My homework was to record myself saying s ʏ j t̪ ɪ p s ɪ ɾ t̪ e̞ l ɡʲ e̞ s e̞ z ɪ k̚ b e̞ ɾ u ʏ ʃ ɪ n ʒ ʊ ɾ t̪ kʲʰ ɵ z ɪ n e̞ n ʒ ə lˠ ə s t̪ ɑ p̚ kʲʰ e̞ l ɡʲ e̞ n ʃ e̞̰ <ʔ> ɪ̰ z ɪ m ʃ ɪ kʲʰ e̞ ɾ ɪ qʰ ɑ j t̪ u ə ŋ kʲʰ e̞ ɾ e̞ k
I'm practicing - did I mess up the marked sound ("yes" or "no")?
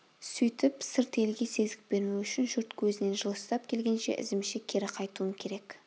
no